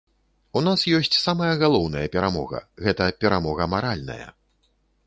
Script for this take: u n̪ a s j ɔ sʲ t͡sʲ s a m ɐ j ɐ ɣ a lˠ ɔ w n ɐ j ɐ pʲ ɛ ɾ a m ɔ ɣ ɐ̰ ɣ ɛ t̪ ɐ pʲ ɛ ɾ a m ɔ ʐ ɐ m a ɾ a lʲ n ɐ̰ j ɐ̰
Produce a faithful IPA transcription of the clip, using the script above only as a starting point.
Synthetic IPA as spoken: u n̪ a s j ɔ sʲ t͡sʲ s a m ɐ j ɐ ɣ a lˠ ɔ w n ɐ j ɐ pʲ ɛ ɾ a m ɔ ɣ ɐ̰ ɣ ɛ t̪ ɐ pʲ ɛ ɾ a m ɔ ɣ ɐ m a ɾ a lʲ n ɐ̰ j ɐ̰